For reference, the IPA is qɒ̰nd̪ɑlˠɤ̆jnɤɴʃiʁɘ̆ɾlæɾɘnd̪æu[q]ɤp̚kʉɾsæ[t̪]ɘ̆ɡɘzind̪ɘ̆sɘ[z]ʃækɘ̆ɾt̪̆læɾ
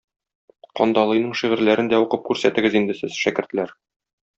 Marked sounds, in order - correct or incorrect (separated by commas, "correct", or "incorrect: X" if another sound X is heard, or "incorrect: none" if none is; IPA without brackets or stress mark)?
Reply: correct, correct, correct